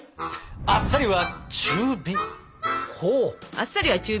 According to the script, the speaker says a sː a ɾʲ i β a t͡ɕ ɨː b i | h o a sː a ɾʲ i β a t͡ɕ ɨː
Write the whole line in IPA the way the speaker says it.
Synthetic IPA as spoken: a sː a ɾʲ i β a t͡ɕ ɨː b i | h o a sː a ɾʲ i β a t͡ɕ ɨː